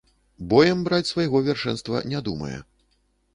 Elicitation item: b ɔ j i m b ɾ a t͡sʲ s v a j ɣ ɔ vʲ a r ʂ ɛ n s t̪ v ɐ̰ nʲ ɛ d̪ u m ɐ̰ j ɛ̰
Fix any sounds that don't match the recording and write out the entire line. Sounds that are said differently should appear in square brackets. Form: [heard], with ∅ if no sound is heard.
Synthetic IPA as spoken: b ɔ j [ɛ] m b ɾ a t͡sʲ s v a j ɣ ɔ vʲ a r ʂ ɛ n s t̪ v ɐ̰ nʲ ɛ d̪ u m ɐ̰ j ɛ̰